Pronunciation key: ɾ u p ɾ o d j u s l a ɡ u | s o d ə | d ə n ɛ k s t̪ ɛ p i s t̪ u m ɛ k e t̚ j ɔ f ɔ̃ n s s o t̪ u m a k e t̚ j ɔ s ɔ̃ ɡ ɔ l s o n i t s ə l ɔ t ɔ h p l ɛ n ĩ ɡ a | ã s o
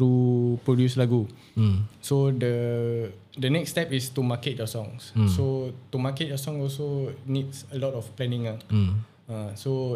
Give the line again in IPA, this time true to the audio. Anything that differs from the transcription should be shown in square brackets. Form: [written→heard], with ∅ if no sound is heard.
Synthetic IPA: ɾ u p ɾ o d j u s l a ɡ u | s o d ə | d ə n ɛ k s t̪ ɛ p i s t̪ u m [ɛ→a] k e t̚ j ɔ [f→s] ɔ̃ [n→ŋ] s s o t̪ u m a k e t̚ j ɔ s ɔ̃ [ɡ→ŋ] ɔ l s o n i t s ə l ɔ t ɔ [h→f] p l ɛ n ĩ [ɡ→ŋ] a | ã s o